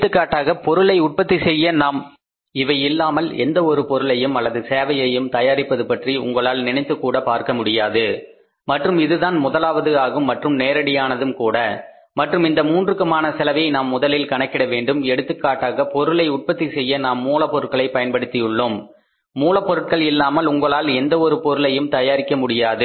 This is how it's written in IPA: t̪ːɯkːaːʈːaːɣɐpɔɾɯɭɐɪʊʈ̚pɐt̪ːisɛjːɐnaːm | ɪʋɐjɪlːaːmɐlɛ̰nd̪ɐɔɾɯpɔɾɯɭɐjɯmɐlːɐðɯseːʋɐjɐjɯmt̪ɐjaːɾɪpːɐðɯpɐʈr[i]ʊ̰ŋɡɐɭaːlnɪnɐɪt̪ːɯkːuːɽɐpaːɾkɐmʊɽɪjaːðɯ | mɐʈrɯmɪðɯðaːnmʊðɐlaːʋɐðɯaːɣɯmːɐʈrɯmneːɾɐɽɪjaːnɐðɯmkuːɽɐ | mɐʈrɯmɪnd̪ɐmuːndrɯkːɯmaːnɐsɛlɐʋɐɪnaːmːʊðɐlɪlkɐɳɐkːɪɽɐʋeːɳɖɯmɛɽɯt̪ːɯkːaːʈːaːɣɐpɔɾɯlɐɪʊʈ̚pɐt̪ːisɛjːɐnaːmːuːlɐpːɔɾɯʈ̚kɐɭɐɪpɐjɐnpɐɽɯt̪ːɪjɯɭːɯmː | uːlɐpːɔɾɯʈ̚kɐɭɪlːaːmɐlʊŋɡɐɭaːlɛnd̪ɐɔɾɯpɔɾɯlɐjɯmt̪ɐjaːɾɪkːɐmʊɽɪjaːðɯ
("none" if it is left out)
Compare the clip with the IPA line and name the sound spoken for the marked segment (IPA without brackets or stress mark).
i